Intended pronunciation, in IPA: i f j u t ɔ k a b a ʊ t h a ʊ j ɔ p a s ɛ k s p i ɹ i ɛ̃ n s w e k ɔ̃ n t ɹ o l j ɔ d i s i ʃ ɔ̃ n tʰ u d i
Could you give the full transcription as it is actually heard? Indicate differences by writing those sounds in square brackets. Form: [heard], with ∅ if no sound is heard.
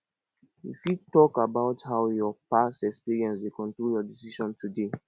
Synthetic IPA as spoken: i f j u t ɔ k a b a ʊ t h a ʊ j ɔ p a s ɛ k s p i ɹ i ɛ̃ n s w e k ɔ̃ n t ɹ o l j ɔ d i s i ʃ ɔ̃ n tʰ u d [e]